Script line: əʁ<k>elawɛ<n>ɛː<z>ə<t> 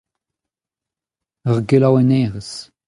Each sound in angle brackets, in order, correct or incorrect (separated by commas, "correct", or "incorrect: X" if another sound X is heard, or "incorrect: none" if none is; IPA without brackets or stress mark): incorrect: ɡ, correct, incorrect: ʁ, incorrect: s